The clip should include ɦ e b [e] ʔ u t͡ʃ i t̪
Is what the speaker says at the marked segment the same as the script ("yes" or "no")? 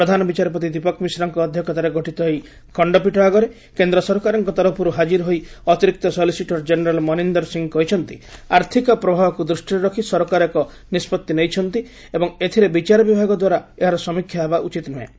no